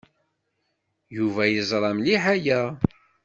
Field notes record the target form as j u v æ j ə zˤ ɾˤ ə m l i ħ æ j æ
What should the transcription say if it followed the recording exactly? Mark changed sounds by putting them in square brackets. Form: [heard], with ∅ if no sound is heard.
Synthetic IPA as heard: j u v æ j ə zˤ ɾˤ [ɑ] m l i ħ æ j æ